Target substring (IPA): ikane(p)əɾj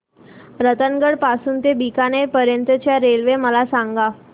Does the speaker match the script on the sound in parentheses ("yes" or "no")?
yes